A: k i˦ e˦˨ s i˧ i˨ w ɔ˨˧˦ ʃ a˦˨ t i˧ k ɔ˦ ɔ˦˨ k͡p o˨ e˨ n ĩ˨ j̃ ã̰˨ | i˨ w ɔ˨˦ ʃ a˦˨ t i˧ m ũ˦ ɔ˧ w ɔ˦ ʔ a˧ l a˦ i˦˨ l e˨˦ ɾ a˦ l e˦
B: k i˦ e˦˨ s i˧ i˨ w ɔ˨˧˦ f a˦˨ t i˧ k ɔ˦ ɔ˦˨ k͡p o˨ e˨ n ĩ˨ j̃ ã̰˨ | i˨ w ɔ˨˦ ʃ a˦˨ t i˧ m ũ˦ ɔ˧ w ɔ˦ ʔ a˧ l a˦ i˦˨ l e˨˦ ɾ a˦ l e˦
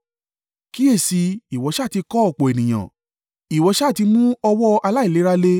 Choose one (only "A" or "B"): A